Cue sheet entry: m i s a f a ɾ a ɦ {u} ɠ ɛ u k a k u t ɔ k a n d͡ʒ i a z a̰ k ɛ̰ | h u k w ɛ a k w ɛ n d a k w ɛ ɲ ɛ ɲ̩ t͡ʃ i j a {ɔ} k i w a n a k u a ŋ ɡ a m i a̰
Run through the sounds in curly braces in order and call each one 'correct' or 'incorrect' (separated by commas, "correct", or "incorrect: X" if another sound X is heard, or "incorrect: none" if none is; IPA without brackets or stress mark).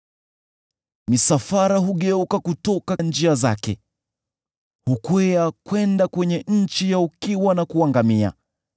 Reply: correct, incorrect: u